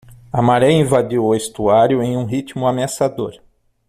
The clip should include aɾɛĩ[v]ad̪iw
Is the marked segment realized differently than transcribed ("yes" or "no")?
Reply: no